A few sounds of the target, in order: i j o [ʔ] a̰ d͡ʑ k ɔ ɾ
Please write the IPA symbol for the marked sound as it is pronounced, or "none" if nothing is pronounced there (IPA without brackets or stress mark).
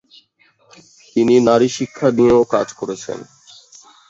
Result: k